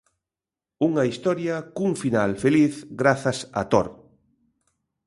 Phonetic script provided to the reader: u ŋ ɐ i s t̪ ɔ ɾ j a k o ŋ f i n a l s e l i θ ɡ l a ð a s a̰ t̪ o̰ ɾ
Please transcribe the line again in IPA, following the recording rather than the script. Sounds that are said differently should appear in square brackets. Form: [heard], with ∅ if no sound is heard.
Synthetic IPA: u ŋ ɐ i s t̪ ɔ ɾ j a k [u] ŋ f i n a l [f] e l i θ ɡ [ɾ] a [θ] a s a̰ t̪ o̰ ɾ